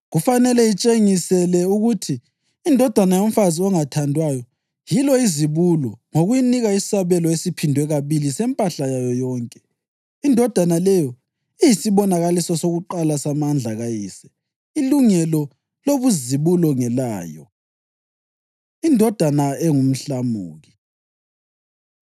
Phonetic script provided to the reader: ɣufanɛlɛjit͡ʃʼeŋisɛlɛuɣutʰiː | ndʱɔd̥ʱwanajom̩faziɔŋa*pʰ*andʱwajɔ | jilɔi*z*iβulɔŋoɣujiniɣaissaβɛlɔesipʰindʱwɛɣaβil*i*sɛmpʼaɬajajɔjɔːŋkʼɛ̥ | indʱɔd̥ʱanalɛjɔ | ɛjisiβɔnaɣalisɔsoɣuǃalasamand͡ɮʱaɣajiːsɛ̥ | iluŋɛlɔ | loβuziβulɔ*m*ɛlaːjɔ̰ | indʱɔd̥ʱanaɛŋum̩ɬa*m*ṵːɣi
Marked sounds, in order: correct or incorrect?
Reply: incorrect: tʰ, correct, correct, incorrect: ŋ, correct

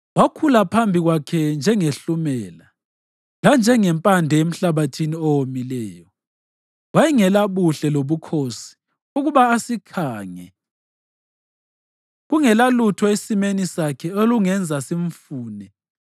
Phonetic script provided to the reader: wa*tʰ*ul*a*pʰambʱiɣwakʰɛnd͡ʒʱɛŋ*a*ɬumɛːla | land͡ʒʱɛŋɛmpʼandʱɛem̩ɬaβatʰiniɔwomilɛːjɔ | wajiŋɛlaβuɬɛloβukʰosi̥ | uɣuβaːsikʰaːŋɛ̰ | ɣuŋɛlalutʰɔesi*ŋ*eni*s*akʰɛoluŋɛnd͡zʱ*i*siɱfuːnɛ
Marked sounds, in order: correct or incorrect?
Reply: incorrect: kʰ, correct, incorrect: e, incorrect: m, correct, incorrect: a

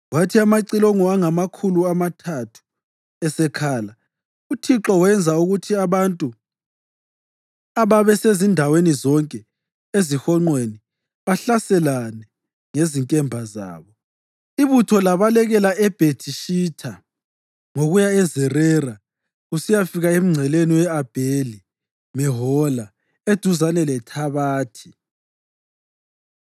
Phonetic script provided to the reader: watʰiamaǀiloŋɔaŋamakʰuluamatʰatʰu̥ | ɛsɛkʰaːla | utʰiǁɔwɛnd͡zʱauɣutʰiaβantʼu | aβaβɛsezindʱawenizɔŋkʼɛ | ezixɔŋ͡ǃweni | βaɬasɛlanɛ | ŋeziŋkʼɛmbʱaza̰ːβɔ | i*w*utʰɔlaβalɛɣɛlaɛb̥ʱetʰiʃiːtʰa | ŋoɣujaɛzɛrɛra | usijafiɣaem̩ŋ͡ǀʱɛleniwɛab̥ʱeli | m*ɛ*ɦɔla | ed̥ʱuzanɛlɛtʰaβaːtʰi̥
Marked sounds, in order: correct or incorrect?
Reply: incorrect: β, correct

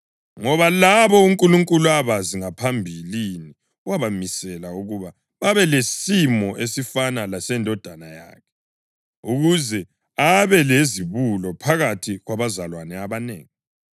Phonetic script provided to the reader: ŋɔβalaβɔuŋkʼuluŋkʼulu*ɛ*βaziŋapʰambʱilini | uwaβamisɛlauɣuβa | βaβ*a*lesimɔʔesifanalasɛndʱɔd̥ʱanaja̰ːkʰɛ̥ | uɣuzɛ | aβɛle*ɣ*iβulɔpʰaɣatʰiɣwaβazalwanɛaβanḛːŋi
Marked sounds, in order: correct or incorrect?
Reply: incorrect: a, incorrect: ɛ, incorrect: z

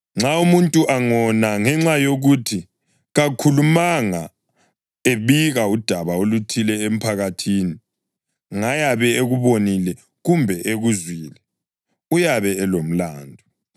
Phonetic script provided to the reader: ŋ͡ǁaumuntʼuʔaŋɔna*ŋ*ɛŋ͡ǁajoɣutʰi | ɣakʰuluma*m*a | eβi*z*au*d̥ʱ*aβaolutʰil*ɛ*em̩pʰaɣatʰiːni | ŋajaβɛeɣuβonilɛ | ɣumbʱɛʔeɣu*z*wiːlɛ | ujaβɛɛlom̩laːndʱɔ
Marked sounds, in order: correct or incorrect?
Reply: correct, incorrect: ŋ, incorrect: ɣ, correct, correct, correct

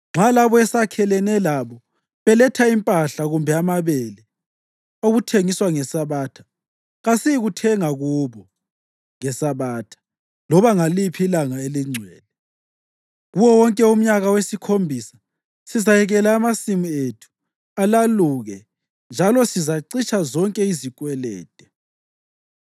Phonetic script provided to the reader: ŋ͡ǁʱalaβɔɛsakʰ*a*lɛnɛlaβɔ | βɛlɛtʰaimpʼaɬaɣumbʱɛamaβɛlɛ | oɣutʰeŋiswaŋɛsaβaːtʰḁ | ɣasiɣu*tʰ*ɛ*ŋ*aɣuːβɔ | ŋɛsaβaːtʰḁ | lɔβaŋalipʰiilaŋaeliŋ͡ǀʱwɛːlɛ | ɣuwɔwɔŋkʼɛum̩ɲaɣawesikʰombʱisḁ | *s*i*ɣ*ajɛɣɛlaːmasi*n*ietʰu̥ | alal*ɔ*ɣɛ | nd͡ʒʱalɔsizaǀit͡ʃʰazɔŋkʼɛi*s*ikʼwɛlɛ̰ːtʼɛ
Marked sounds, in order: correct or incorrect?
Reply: incorrect: ɛ, correct, correct, correct, incorrect: z, incorrect: m, incorrect: u, incorrect: z

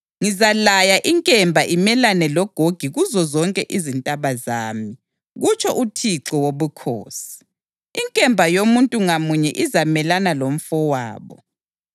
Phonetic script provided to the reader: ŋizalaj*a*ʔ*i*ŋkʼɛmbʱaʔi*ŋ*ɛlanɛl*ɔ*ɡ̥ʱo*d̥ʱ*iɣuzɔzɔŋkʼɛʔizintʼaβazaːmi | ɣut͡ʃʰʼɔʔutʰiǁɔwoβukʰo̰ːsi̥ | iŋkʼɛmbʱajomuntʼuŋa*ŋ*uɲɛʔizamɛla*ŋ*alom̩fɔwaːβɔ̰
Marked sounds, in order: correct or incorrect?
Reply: correct, correct, incorrect: m, correct, incorrect: ɡ̥ʱ, incorrect: m, incorrect: n

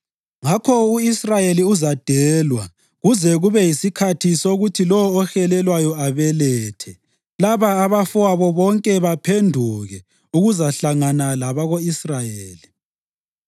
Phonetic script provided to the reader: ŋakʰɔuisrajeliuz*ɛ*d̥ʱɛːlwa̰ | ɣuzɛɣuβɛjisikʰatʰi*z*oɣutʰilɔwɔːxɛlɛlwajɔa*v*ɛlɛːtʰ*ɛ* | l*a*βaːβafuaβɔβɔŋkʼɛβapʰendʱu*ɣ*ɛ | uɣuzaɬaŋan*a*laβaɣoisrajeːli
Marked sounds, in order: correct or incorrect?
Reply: incorrect: a, incorrect: s, incorrect: β, correct, correct, correct, correct

